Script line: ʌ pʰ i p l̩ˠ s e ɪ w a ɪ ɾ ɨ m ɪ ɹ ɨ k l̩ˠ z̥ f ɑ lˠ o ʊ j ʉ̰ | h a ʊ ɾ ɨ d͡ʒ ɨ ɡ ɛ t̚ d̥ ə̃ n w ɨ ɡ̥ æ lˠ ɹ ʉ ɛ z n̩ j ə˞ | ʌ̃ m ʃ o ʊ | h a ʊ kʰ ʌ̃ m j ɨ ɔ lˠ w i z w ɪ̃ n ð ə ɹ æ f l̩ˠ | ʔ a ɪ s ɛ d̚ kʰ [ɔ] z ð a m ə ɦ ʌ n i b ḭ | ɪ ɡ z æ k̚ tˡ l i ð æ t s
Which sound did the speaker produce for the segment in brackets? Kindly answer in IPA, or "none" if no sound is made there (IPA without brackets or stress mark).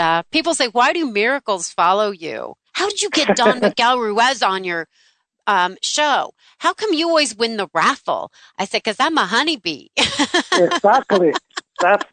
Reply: ʌ